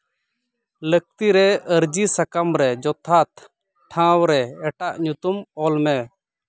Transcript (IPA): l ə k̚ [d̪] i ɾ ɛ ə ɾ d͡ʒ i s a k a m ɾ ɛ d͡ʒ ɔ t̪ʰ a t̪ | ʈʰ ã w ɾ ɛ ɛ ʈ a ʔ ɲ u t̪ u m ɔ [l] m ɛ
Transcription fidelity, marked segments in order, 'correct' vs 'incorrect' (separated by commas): incorrect, correct